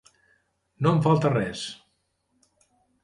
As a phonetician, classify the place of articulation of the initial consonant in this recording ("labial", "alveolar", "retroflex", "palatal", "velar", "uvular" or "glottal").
alveolar